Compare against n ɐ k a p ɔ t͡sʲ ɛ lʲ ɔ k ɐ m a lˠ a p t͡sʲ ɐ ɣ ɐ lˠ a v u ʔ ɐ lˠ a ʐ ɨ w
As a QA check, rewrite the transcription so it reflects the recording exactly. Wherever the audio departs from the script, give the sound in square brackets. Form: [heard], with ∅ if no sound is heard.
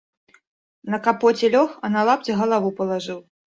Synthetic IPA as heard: n ɐ k a p ɔ t͡sʲ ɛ lʲ ɔ [x] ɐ [n] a lˠ a p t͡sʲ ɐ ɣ ɐ lˠ a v u [p] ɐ lˠ a ʐ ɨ w